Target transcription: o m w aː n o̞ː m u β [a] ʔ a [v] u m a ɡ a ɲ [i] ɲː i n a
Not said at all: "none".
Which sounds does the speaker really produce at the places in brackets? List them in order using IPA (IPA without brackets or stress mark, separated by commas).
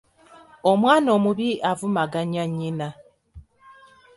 i, v, a